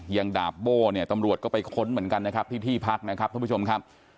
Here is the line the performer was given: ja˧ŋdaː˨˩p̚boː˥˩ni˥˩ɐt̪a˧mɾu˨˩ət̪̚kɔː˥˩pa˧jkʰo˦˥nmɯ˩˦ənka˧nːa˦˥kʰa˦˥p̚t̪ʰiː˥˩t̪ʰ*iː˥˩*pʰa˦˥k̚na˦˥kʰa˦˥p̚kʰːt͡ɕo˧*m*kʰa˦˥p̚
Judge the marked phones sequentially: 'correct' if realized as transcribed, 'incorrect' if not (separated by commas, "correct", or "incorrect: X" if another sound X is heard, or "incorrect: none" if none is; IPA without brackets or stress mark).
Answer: correct, correct